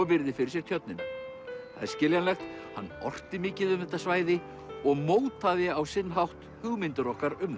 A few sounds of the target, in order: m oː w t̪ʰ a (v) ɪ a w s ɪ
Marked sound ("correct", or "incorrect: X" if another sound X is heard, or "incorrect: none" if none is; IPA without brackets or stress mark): incorrect: ð